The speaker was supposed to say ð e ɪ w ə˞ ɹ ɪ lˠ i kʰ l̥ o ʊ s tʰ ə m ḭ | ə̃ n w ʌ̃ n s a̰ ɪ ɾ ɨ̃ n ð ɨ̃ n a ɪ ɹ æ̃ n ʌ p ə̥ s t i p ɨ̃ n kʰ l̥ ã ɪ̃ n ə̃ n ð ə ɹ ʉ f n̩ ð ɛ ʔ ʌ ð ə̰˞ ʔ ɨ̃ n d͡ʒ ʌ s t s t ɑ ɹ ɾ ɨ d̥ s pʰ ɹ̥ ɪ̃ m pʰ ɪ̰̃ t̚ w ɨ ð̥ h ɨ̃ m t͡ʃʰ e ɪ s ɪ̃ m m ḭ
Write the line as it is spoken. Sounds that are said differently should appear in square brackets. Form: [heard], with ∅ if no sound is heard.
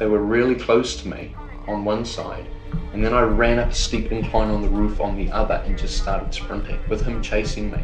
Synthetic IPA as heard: ð e ɪ w ə˞ ɹ ɪ lˠ i kʰ l̥ o ʊ s tʰ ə m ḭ | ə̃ n w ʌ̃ n s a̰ ɪ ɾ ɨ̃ n ð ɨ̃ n a ɪ ɹ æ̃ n ʌ p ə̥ s t i p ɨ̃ n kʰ l̥ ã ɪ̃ n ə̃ n ð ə ɹ ʉ f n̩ ð [i] ʔ ʌ ð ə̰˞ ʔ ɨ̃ n d͡ʒ ʌ s t s t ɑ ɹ ɾ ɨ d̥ s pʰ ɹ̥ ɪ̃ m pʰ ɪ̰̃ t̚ w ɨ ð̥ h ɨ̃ m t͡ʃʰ e ɪ s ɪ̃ [ŋ] m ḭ